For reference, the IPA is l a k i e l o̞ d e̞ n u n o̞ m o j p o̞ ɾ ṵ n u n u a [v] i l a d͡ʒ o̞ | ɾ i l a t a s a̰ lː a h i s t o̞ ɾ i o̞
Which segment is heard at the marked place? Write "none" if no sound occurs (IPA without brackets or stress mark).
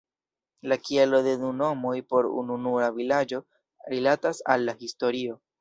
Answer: v